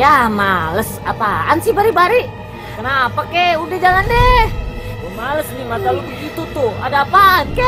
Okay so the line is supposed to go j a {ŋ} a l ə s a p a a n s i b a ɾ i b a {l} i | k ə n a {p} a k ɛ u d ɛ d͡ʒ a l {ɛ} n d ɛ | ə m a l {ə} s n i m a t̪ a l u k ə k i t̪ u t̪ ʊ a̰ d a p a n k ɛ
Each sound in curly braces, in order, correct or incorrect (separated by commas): incorrect, incorrect, correct, incorrect, correct